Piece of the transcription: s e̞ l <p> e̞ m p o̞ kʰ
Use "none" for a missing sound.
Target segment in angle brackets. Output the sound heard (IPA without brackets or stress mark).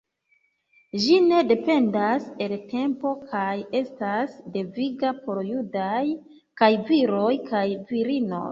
t